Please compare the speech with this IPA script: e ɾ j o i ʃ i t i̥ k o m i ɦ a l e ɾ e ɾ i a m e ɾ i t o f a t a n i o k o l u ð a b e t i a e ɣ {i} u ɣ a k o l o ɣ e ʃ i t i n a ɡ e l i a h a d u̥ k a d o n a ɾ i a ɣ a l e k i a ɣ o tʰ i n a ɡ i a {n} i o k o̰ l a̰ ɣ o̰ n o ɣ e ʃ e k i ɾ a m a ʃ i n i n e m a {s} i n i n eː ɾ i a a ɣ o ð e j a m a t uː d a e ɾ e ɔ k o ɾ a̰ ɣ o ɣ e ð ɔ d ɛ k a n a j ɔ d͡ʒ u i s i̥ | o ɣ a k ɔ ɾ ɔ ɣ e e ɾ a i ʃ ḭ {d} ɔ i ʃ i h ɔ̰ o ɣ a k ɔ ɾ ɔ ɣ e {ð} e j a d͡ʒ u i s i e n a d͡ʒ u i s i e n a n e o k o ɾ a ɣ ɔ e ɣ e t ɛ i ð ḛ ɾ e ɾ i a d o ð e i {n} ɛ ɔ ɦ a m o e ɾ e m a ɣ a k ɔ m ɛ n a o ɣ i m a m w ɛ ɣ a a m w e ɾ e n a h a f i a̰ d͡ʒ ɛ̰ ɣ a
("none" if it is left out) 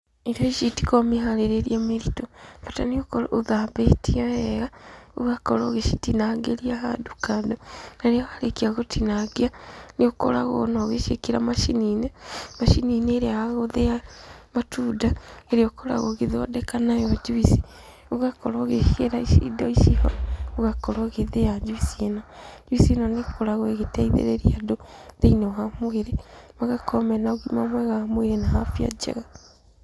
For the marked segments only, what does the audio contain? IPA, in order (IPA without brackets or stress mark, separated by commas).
a, n, ʃ, d, ð, n